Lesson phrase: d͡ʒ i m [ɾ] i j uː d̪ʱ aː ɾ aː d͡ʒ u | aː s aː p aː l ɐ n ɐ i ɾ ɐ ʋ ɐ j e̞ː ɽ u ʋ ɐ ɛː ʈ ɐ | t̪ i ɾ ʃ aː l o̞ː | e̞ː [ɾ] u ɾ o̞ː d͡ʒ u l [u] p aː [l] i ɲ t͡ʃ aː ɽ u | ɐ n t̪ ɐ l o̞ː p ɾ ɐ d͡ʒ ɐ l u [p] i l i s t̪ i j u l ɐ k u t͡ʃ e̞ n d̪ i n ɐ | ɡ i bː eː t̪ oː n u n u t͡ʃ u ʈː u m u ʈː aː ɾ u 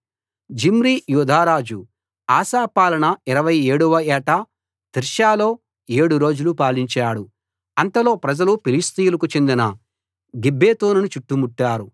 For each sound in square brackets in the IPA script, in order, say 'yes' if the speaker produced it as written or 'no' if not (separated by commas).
yes, no, yes, yes, yes